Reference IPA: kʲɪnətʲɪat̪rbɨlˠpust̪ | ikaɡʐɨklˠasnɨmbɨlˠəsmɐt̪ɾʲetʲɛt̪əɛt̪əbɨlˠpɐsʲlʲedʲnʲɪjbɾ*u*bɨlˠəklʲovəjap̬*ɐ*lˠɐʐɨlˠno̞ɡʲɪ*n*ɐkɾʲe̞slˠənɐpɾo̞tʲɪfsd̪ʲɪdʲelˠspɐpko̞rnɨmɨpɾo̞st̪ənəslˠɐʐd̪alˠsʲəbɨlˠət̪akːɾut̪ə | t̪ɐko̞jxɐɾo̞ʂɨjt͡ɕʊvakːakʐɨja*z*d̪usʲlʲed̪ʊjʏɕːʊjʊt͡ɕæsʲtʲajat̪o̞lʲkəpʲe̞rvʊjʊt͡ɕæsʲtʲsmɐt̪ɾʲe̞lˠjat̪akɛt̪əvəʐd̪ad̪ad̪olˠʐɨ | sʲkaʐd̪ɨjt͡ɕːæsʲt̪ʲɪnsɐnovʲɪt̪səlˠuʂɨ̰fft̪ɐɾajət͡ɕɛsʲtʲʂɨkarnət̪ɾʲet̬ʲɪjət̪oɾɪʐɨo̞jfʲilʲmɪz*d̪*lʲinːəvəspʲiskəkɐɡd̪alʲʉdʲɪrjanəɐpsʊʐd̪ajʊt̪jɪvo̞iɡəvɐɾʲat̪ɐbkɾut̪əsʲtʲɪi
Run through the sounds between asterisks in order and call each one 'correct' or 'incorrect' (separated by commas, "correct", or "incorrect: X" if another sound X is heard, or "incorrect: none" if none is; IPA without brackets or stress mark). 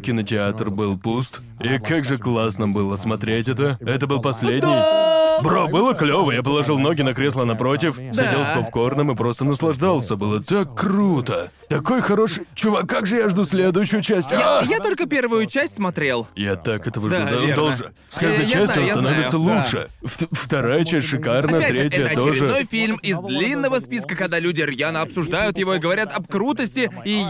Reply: incorrect: o, incorrect: ə, correct, incorrect: ʐ, correct